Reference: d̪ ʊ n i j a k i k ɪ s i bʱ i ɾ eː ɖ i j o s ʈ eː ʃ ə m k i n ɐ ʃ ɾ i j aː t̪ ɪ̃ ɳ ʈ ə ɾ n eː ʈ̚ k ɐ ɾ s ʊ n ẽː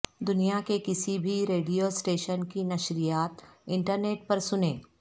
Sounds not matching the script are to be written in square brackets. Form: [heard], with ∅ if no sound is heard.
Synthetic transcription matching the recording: d̪ ʊ n i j a k [e] k ɪ s i bʱ i ɾ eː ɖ i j o s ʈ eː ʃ ə [n] k i n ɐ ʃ ɾ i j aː t̪ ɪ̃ ɳ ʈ ə ɾ n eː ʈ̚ [p] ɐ ɾ s ʊ n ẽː